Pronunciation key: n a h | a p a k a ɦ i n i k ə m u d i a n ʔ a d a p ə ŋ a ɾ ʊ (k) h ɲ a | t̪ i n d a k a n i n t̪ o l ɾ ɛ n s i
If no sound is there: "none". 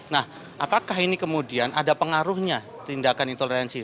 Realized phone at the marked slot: none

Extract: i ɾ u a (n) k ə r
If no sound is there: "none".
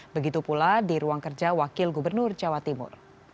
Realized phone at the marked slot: ŋ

